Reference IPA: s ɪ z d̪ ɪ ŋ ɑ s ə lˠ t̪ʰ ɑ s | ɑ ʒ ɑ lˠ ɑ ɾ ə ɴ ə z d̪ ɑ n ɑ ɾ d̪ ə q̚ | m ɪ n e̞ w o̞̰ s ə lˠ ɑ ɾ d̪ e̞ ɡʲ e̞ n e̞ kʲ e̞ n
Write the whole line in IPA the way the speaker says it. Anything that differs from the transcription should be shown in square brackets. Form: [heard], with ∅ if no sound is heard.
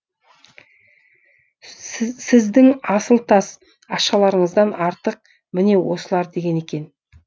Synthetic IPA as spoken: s ɪ z d̪ ɪ ŋ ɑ s ə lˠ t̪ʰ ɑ s | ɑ [ʃ] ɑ lˠ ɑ ɾ ə ɴ ə z d̪ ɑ n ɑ ɾ [t̪] ə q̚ | m ɪ n e̞ w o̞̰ s ə lˠ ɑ ɾ d̪ e̞ ɡʲ e̞ n e̞ kʲ e̞ n